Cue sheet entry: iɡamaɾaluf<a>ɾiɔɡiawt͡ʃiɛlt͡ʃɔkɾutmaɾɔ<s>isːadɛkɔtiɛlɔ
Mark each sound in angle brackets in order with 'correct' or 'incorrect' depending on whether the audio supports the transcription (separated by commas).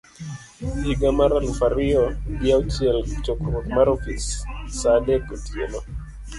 correct, incorrect